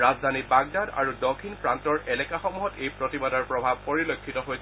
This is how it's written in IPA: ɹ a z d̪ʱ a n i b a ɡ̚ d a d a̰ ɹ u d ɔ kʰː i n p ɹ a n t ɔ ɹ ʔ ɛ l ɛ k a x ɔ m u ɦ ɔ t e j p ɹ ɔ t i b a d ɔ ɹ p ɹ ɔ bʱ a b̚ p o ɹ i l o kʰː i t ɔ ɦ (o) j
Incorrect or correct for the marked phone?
correct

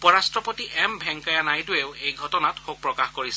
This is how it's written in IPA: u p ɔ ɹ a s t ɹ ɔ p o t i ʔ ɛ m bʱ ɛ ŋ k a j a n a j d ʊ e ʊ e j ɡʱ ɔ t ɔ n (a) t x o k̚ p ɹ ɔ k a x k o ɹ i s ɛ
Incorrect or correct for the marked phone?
correct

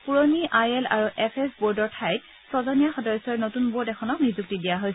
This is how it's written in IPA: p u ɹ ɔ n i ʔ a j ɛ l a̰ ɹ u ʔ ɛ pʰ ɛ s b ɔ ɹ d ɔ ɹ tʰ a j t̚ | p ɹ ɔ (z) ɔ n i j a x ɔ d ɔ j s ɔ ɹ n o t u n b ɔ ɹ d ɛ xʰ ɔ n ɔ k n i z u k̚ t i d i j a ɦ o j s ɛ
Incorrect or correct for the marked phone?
correct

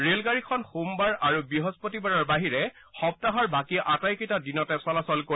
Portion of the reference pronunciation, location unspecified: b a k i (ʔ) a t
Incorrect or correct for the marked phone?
correct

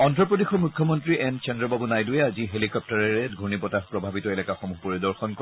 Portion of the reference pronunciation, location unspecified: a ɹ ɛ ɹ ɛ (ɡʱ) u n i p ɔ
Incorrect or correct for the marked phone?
correct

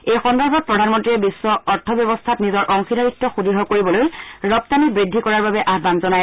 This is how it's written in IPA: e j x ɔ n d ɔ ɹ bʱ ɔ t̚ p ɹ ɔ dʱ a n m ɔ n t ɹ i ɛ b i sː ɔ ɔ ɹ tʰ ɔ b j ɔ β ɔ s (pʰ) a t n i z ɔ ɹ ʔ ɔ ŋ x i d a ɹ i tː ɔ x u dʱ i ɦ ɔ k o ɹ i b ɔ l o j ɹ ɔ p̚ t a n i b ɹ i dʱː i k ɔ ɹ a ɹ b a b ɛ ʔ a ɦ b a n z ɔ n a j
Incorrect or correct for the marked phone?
incorrect: tʰ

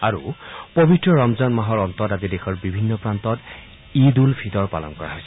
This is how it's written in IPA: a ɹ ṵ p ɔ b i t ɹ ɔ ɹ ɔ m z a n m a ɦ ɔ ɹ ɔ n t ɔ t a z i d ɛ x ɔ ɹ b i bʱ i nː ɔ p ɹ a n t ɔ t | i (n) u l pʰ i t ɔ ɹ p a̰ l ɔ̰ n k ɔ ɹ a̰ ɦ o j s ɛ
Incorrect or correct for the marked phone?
incorrect: d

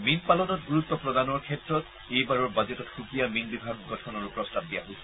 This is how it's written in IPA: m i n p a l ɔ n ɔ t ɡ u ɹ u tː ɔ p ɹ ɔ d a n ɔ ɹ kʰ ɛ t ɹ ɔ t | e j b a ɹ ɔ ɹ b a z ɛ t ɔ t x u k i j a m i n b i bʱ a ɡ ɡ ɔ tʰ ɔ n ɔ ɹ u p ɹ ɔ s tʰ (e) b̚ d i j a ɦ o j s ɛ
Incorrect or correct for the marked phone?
incorrect: a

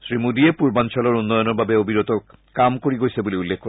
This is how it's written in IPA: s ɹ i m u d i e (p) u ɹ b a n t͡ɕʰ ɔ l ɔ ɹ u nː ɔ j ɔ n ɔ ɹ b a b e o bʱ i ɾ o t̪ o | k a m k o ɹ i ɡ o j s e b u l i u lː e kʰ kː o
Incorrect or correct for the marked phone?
correct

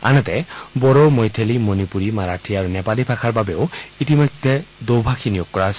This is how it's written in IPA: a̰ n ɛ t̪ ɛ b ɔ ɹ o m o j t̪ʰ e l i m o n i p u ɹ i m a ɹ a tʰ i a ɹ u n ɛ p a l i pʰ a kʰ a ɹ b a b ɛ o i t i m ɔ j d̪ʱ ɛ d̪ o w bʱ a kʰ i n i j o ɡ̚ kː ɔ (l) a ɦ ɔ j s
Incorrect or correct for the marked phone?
incorrect: ɹ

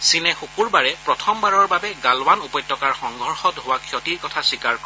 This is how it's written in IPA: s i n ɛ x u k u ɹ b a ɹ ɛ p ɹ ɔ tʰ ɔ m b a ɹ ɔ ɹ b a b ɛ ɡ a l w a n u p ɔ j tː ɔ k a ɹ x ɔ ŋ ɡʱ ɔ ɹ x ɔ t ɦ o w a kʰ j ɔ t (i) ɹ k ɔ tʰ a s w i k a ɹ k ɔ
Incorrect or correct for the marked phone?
correct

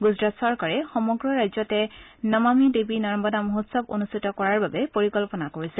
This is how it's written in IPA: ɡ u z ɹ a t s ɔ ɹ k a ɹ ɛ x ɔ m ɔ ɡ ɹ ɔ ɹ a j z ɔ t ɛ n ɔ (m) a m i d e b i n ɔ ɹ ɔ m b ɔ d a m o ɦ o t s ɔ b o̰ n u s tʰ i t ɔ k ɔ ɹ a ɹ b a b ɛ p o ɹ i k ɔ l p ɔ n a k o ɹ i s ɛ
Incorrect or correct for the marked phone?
correct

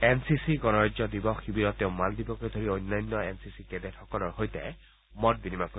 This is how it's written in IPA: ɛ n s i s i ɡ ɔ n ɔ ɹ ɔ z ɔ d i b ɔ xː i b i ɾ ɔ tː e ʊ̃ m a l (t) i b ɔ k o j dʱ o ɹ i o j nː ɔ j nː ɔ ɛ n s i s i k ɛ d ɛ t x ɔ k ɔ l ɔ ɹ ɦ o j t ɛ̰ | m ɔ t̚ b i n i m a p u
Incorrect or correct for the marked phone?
incorrect: d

